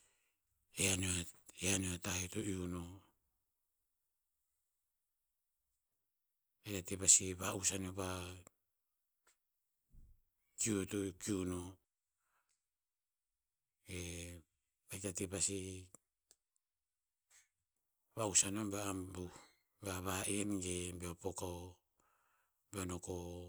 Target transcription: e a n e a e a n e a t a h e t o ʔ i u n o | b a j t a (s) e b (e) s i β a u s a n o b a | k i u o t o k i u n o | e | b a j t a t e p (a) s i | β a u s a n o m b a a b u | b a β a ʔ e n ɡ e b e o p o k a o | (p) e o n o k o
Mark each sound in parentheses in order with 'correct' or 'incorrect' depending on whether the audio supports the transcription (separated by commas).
incorrect, incorrect, correct, incorrect